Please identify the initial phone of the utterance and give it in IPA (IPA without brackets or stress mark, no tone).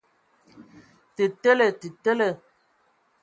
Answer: t